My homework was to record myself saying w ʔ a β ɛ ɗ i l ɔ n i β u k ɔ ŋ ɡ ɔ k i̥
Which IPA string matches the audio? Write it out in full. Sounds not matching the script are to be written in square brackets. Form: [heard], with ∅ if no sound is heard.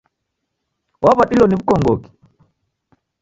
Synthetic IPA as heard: w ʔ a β [a] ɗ i l ɔ n i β u k ɔ ŋ ɡ ɔ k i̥